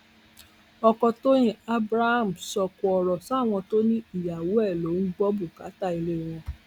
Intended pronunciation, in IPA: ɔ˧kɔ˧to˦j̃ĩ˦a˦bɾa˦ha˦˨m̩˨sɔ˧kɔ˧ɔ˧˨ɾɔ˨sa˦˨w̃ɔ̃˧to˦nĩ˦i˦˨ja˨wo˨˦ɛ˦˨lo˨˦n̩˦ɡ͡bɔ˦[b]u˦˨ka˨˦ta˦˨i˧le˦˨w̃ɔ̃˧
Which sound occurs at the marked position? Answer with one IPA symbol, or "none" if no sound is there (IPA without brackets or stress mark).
b